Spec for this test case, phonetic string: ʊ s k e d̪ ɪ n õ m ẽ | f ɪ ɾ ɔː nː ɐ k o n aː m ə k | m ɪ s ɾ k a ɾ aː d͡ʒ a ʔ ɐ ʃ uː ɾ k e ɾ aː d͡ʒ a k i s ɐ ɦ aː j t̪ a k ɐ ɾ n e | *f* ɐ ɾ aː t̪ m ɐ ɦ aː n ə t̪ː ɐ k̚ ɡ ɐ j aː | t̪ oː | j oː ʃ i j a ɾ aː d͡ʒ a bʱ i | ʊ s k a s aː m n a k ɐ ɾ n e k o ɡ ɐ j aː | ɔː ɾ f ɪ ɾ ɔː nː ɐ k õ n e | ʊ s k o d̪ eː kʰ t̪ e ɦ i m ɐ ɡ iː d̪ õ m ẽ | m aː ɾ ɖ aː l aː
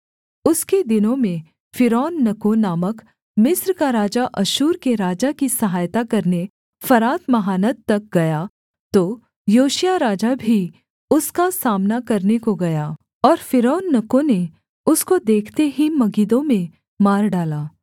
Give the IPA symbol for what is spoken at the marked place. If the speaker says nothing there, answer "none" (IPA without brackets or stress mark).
f